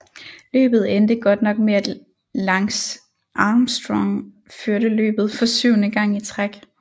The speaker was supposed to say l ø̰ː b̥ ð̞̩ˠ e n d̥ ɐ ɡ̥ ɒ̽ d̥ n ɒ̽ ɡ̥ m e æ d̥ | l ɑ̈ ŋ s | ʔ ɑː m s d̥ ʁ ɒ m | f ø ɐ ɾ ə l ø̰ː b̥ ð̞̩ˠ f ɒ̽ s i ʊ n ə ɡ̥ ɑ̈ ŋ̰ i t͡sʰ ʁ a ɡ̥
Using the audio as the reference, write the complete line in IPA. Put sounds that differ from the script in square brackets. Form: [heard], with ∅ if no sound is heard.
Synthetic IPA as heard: l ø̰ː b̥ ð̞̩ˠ e n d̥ [ə] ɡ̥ ɒ̽ d̥ n ɒ̽ ɡ̥ m e æ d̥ | l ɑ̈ ŋ s | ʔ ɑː m s d̥ ʁ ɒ [ŋ] | f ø ɐ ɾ ə l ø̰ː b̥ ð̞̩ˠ f ɒ̽ s [y] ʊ n ə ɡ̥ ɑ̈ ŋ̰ i t͡sʰ ʁ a ɡ̥